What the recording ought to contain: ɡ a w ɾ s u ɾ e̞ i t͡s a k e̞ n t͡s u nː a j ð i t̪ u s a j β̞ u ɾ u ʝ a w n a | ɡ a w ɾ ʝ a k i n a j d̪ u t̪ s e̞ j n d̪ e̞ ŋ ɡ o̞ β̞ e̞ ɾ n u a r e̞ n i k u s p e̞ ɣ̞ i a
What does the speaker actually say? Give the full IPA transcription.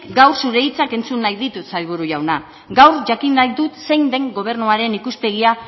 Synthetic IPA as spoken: ɡ a w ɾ s u ɾ e̞ i t͡s a k e̞ n t͡s u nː a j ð i t̪ u s a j β̞ u ɾ u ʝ a w n a | ɡ a w ɾ ʝ a k i n a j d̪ u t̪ s e̞ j n d̪ e̞ ŋ ɡ o̞ β̞ e̞ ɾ n u a ɾ e̞ n i k u s p e̞ ɣ̞ i a